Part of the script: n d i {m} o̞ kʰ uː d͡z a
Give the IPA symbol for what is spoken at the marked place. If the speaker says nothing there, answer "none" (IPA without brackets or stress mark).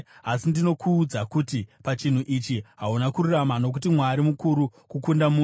n